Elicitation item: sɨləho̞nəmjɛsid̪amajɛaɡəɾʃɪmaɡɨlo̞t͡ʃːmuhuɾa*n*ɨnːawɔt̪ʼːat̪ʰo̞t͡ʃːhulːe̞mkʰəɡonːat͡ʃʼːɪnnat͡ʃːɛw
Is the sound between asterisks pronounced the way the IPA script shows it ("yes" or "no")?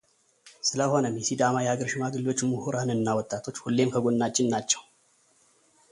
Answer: yes